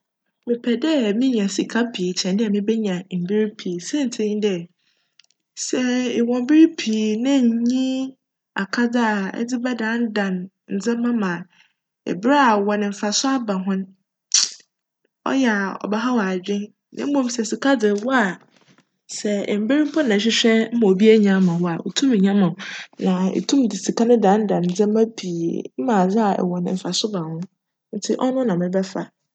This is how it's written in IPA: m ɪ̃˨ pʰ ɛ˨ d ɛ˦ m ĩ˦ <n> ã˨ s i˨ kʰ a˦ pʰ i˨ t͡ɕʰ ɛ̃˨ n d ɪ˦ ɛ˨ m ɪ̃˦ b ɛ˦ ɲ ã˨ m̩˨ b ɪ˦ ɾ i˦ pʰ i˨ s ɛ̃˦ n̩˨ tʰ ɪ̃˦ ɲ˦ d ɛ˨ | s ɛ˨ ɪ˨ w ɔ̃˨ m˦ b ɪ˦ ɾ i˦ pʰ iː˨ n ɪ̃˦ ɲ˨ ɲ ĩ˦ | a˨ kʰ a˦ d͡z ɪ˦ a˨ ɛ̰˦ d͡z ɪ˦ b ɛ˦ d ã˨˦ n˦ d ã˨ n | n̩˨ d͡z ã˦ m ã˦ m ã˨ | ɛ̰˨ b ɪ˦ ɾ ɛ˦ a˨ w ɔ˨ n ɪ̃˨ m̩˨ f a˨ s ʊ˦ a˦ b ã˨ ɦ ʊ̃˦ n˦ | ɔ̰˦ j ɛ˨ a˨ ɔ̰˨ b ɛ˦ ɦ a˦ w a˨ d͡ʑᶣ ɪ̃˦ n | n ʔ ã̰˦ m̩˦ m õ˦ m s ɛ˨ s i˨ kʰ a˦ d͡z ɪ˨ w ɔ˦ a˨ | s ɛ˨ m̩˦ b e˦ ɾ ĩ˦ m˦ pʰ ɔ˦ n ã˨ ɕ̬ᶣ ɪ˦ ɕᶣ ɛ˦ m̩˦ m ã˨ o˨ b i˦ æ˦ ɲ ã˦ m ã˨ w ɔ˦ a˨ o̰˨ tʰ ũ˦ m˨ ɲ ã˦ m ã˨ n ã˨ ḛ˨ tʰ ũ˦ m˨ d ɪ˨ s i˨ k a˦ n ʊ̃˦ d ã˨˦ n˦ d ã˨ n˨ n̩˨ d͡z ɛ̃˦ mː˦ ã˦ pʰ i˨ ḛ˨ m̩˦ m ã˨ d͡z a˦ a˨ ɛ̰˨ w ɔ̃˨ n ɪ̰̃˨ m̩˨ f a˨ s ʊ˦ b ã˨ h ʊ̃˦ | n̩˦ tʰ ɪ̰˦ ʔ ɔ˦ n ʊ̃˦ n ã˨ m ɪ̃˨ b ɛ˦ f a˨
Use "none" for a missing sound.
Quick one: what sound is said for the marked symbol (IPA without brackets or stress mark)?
ɲ